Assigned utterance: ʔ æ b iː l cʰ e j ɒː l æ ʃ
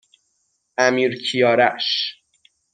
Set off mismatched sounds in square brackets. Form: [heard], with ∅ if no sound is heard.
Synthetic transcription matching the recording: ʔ æ [m] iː [ɾ] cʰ [i] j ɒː [ɾ] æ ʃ